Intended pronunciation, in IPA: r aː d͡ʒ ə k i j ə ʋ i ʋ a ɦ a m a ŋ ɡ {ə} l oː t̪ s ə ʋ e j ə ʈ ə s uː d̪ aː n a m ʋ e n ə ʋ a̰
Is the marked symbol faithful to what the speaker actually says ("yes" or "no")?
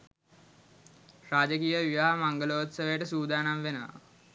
yes